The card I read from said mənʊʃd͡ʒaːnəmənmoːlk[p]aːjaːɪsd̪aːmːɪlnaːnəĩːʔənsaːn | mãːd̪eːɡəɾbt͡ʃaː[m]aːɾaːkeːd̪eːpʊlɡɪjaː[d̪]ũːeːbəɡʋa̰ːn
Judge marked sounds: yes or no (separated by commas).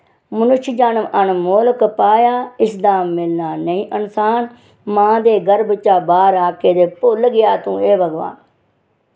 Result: yes, no, no